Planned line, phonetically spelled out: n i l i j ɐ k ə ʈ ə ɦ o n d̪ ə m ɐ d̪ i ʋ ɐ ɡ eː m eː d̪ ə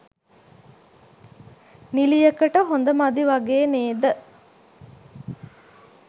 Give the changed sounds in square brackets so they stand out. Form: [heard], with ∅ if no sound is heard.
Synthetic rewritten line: n i l i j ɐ k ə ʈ ə ɦ o n d̪ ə m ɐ d̪ i ʋ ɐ ɡ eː [n] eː d̪ ə